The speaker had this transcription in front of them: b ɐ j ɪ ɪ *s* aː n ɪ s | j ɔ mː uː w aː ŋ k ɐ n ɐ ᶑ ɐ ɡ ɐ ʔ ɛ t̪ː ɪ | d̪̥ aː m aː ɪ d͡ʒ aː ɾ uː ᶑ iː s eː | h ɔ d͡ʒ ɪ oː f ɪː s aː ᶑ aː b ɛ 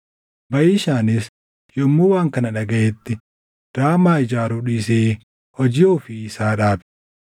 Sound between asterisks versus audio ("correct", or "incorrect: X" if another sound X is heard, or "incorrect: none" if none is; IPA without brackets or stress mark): incorrect: ʃ